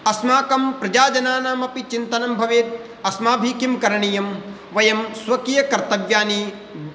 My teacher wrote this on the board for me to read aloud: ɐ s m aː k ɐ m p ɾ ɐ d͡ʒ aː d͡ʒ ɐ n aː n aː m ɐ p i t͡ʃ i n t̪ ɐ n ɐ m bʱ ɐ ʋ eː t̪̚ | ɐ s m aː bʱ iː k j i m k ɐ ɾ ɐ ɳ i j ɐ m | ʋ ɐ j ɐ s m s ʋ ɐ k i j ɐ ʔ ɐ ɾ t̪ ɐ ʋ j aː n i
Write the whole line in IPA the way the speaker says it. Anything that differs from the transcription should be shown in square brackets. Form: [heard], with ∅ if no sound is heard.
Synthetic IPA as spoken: ɐ s m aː k ɐ m p ɾ ɐ d͡ʒ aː d͡ʒ ɐ n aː n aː m ɐ p i t͡ʃ i n t̪ ɐ n ɐ m bʱ ɐ ʋ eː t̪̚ | ɐ s m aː bʱ iː k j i m k ɐ ɾ ɐ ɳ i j ɐ m | ʋ ɐ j ɐ [∅] m s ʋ ɐ k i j ɐ [k] ɐ ɾ t̪ ɐ ʋ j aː n i

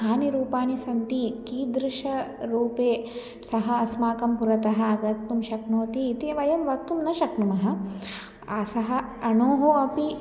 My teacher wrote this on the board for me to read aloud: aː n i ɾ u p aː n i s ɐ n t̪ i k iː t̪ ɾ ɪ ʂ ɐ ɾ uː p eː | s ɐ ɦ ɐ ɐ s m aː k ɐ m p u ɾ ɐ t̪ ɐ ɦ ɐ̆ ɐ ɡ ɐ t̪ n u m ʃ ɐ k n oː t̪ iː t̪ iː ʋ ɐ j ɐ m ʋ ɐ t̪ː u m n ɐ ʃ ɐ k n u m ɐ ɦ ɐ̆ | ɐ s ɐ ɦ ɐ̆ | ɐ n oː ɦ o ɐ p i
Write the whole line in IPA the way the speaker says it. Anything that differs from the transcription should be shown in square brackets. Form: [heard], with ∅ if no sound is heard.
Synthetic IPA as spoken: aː n i ɾ [uː] p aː n i s ɐ n t̪ i k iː [d̪] ɾ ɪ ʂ ɐ ɾ uː p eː | s ɐ ɦ ɐ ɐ s m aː k ɐ m p u ɾ ɐ t̪ ɐ ɦ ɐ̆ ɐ ɡ ɐ t̪ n u m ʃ ɐ k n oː t̪ iː t̪ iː ʋ ɐ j ɐ m ʋ ɐ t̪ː u m n ɐ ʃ ɐ k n u m ɐ ɦ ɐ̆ | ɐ s ɐ ɦ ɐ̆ | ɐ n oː ɦ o ɐ p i

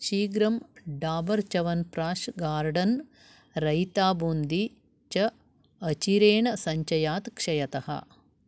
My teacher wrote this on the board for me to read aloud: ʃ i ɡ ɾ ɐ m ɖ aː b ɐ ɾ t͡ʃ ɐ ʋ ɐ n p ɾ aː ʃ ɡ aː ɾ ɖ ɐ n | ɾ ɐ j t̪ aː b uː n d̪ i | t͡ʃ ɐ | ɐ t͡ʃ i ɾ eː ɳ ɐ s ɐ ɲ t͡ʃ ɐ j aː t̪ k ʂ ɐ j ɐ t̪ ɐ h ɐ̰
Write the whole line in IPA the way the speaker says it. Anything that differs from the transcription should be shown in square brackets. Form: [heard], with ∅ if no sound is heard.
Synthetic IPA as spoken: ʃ [iː] ɡ ɾ ɐ m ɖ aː b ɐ ɾ t͡ʃ ɐ ʋ ɐ n p ɾ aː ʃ ɡ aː ɾ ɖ ɐ n | ɾ ɐ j t̪ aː b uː n d̪ i | t͡ʃ ɐ | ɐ t͡ʃ i ɾ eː ɳ ɐ s ɐ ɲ t͡ʃ ɐ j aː t̪ k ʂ ɐ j ɐ t̪ ɐ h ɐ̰

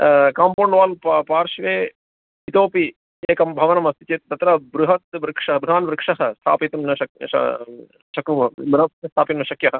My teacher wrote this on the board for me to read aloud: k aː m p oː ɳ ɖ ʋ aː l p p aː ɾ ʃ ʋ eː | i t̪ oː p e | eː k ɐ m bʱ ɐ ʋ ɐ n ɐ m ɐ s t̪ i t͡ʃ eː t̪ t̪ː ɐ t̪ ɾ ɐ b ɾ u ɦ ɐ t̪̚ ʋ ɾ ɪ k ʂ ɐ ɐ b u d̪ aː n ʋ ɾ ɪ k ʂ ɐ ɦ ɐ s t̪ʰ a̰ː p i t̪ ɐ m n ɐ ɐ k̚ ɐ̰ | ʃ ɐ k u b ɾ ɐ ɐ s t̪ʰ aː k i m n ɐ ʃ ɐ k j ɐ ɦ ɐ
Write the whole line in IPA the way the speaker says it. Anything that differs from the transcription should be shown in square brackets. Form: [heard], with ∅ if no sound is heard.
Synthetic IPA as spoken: k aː m p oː ɳ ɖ ʋ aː l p p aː ɾ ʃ ʋ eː | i t̪ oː p [i] | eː k ɐ m bʱ ɐ ʋ ɐ n ɐ m ɐ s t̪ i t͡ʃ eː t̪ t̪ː ɐ t̪ ɾ ɐ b ɾ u ɦ ɐ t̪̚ ʋ ɾ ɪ k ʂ ɐ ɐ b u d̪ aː n ʋ ɾ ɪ k ʂ ɐ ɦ ɐ s t̪ʰ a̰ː p i t̪ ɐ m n ɐ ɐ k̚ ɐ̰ | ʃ ɐ k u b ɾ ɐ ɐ s t̪ʰ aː [p] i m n ɐ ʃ ɐ k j ɐ ɦ ɐ

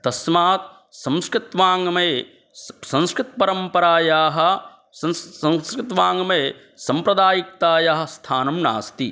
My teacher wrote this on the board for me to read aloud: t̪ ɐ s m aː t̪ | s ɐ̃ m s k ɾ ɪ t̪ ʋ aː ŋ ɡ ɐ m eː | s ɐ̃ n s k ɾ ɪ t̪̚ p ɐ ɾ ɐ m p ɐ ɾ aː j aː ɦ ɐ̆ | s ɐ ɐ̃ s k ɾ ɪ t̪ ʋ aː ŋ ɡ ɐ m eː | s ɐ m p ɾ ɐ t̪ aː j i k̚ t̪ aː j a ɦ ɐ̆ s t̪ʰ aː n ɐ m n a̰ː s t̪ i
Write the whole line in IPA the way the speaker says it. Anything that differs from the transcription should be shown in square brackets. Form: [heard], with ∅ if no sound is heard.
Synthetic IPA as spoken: t̪ ɐ s m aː t̪ | s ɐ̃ m s k ɾ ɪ t̪ ʋ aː ŋ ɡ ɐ m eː | s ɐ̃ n s k ɾ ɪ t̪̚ p ɐ ɾ ɐ m p ɐ ɾ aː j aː ɦ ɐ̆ | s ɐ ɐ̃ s k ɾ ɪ t̪ ʋ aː ŋ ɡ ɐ m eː | s ɐ m p ɾ ɐ [d̪] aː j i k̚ t̪ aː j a ɦ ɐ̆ s t̪ʰ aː n ɐ m n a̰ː s t̪ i

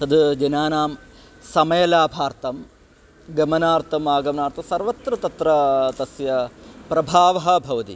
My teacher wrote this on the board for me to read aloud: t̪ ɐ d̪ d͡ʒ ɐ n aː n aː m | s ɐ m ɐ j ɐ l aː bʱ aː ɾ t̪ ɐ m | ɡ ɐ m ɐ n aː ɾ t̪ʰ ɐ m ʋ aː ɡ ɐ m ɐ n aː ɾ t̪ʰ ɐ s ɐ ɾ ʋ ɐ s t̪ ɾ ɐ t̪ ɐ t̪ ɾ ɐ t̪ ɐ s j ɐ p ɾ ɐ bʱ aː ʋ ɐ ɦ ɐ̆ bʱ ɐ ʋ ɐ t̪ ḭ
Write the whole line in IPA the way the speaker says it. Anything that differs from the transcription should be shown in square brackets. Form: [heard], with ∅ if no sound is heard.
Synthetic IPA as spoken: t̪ ɐ d̪ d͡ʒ ɐ n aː n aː m | s ɐ m ɐ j ɐ l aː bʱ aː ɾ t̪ ɐ m | ɡ ɐ m ɐ n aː ɾ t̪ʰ ɐ m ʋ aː ɡ ɐ m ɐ n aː ɾ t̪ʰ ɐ s ɐ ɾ ʋ ɐ [∅] t̪ ɾ ɐ t̪ ɐ t̪ ɾ ɐ t̪ ɐ s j ɐ p ɾ ɐ bʱ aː ʋ ɐ ɦ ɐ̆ bʱ ɐ ʋ ɐ t̪ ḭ

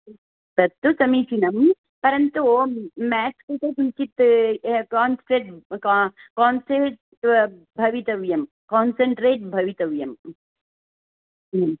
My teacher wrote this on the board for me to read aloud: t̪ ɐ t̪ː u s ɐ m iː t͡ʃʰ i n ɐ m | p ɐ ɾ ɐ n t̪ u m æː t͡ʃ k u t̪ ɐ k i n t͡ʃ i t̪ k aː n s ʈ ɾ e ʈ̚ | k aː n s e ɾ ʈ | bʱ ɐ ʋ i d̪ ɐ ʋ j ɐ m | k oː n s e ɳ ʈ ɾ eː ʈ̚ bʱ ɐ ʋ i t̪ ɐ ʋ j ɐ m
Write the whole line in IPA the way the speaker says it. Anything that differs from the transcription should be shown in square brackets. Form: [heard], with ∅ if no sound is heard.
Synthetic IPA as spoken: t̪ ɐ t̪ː u s ɐ m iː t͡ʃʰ i n ɐ m | p ɐ ɾ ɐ n t̪ u m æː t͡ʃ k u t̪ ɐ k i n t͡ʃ i t̪ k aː n s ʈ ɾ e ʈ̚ | k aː n s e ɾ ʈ | bʱ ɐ ʋ i [t̪] ɐ ʋ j ɐ m | k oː n s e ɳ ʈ ɾ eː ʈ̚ bʱ ɐ ʋ i t̪ ɐ ʋ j ɐ m

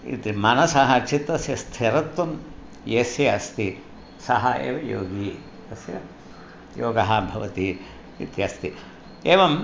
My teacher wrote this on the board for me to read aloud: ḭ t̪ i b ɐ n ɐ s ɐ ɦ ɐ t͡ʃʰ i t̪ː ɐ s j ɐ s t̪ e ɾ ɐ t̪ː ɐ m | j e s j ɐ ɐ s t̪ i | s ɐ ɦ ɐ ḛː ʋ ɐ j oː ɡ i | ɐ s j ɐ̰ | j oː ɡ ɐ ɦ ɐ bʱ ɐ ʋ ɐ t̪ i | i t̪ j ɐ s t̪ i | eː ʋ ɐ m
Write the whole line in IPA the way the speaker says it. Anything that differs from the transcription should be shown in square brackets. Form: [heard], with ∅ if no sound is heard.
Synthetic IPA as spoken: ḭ t̪ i [m] ɐ n ɐ s ɐ ɦ ɐ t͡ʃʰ i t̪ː ɐ s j ɐ s [t̪ʰ] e ɾ ɐ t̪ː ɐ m | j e s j ɐ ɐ s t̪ i | s ɐ ɦ ɐ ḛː ʋ ɐ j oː ɡ i | ɐ s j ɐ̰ | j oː ɡ ɐ ɦ ɐ bʱ ɐ ʋ ɐ t̪ i | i t̪ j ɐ s t̪ i | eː ʋ ɐ m

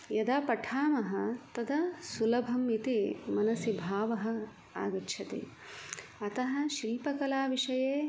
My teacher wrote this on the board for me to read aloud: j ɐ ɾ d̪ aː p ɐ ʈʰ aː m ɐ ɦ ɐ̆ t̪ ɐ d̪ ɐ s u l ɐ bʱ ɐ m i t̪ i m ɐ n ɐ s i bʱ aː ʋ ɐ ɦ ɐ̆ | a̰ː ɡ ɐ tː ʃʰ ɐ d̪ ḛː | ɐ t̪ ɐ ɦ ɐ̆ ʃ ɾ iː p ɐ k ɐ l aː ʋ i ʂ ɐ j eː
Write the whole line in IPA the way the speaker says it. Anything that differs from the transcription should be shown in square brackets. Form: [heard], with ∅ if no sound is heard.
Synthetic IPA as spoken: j ɐ [∅] d̪ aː p ɐ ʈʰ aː m ɐ ɦ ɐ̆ t̪ ɐ d̪ ɐ s u l ɐ bʱ ɐ m i t̪ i m ɐ n ɐ s i bʱ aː ʋ ɐ ɦ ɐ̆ | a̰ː ɡ ɐ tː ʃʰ ɐ [t̪] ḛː | ɐ t̪ ɐ ɦ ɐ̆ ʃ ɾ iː p ɐ k ɐ l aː ʋ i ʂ ɐ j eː

